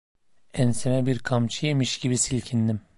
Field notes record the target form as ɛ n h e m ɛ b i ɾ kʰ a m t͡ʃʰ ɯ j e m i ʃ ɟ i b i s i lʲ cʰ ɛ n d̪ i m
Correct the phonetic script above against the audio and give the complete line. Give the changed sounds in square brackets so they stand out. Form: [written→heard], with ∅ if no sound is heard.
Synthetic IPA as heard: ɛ n [h→s] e m ɛ b i ɾ kʰ a m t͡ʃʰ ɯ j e m i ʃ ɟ i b i s i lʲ cʰ [ɛ→i] n d̪ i m